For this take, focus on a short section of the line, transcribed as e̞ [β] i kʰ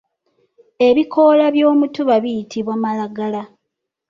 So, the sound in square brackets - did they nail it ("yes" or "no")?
yes